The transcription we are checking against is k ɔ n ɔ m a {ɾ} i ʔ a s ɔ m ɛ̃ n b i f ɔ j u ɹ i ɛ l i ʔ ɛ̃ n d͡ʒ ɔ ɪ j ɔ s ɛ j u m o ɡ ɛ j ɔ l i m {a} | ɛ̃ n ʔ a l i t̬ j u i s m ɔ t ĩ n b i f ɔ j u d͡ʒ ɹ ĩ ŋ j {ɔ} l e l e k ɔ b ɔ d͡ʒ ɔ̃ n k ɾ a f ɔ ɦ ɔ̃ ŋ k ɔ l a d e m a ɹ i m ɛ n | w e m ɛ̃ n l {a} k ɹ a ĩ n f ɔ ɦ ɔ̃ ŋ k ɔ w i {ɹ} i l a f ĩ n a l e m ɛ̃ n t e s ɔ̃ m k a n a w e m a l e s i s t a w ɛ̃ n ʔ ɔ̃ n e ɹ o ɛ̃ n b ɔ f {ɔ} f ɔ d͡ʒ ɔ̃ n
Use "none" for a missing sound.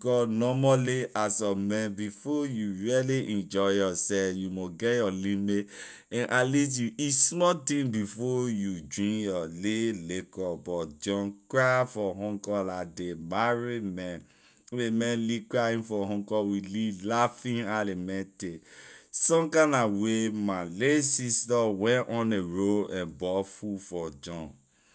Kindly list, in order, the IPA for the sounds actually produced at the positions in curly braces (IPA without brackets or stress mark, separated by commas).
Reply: l, e, ɔ, i, l, u